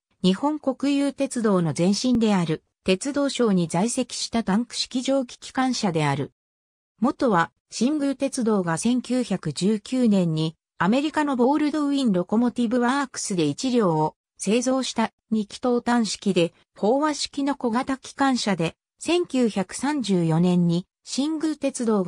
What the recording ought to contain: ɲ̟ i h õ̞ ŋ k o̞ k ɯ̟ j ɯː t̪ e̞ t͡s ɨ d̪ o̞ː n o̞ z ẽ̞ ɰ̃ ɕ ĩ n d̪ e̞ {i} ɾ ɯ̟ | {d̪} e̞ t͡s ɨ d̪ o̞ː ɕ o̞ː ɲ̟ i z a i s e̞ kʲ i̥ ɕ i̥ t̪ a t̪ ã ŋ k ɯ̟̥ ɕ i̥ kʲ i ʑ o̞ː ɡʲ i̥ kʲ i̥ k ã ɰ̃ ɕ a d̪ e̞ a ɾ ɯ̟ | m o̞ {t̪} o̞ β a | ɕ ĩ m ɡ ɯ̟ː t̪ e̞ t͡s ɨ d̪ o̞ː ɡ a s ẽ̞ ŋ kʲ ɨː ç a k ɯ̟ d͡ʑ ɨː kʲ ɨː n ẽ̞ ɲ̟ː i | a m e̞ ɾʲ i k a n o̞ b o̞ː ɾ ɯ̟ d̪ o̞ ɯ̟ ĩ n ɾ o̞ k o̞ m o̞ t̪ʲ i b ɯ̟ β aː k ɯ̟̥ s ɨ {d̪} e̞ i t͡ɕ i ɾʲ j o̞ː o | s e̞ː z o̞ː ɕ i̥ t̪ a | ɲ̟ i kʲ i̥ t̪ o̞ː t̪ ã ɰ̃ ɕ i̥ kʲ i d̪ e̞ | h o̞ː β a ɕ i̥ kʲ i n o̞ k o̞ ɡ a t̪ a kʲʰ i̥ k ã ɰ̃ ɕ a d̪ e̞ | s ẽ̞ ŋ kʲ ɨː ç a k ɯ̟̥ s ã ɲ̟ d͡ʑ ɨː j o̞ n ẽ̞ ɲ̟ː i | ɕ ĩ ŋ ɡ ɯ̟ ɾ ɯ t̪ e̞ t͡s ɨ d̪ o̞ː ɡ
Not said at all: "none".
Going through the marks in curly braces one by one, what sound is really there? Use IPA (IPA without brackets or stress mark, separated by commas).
a, t̪, t̪, d̪